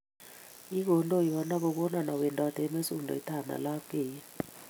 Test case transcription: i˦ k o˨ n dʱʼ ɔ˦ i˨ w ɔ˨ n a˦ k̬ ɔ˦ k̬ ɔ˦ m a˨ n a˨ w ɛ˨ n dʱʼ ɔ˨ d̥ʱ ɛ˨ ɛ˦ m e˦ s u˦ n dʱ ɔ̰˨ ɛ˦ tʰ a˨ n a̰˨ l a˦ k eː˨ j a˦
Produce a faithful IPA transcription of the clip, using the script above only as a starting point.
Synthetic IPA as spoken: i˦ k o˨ n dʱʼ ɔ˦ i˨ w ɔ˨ n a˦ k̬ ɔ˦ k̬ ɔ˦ n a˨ n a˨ w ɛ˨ n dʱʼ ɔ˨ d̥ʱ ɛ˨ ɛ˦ m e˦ s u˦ n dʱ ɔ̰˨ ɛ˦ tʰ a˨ n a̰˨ l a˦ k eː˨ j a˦

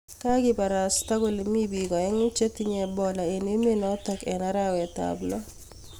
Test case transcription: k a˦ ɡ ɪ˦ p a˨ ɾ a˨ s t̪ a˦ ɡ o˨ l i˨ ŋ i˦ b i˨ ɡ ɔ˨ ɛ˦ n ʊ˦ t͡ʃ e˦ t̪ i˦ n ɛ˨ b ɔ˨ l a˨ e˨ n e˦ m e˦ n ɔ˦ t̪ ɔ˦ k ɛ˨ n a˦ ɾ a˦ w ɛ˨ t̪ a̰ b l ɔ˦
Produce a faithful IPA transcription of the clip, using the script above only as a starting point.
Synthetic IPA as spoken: k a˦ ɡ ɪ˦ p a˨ ɾ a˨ s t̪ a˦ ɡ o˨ l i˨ m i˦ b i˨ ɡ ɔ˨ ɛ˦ ŋ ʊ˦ t͡ʃ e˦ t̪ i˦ ɲ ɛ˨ b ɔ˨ l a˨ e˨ n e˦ m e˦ n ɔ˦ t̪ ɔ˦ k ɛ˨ n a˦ ɾ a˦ w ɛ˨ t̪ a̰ b l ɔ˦

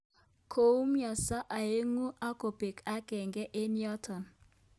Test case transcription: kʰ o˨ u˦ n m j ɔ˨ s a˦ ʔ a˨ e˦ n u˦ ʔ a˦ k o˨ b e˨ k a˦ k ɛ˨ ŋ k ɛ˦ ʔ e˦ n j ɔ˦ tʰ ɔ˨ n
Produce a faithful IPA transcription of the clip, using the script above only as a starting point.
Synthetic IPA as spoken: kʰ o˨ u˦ m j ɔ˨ s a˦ ʔ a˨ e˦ ŋ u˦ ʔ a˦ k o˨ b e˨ k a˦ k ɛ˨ ŋ ɡ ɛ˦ ʔ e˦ n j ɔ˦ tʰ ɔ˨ n

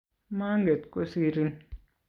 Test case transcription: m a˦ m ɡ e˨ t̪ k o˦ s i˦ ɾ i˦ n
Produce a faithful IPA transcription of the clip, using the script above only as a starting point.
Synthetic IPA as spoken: m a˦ ŋ ɡ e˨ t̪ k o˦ s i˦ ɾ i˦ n

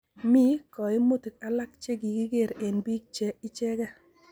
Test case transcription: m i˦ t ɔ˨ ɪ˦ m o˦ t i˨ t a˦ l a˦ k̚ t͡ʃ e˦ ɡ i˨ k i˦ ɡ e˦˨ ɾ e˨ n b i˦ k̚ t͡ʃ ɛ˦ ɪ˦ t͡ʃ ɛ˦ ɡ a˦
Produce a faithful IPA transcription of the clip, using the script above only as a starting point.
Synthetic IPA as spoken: m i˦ k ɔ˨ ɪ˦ m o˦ t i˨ k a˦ l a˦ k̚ t͡ʃ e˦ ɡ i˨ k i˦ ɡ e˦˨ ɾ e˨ n b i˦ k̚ t͡ʃ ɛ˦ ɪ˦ t͡ʃ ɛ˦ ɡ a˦

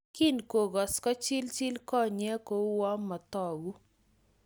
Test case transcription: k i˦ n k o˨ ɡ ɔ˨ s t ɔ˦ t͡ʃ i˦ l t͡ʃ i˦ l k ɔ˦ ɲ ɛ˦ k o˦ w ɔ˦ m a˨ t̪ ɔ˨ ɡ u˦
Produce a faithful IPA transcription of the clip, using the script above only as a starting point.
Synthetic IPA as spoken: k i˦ n k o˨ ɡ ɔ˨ s k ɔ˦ t͡ʃ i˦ l t͡ʃ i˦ l k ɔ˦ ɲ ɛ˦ k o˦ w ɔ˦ m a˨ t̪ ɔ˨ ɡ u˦

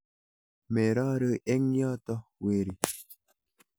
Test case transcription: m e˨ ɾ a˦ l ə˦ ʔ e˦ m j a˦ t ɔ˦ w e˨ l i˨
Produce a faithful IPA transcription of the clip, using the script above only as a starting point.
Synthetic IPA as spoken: m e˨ ɾ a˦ ɾ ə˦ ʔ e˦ ŋ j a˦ t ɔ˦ w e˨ ɾ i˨

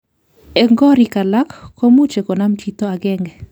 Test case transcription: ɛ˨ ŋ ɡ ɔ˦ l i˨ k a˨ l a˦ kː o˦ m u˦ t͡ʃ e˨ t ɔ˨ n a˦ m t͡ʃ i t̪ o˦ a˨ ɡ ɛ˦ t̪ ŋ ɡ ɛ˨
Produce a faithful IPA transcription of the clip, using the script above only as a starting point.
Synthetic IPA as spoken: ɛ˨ ŋ ɡ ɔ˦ ɾ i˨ k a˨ l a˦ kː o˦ m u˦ t͡ʃ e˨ k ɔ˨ n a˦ m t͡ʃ i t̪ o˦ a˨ ɡ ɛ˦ ŋ ɡ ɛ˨

